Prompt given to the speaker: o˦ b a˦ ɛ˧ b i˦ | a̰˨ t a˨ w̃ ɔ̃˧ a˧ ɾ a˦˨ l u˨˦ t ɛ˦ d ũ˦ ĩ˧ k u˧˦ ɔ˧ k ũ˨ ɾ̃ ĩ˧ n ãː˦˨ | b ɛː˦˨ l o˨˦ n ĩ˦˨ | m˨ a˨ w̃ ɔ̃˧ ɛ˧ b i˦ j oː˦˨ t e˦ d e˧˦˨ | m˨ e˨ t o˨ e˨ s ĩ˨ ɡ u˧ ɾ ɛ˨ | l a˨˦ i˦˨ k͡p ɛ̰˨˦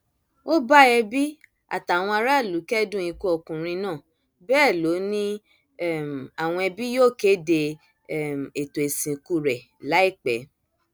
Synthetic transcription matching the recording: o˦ b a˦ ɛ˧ b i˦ | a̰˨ t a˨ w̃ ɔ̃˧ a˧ ɾ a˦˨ l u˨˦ k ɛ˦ d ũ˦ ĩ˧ k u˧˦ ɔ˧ k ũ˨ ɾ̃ ĩ˧ n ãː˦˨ | b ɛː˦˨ l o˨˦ n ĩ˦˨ | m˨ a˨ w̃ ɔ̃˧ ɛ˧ b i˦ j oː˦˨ k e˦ d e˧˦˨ | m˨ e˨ t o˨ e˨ s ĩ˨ k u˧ ɾ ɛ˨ | l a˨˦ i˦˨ k͡p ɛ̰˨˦